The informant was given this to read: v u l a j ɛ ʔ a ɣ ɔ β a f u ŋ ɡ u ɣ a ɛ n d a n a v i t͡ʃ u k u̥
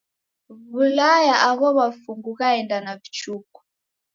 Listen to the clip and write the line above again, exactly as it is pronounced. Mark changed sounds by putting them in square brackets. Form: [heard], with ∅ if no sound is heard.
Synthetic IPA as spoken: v u l a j [a] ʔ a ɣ ɔ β a f u ŋ ɡ u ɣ a ɛ n d a n a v i t͡ʃ u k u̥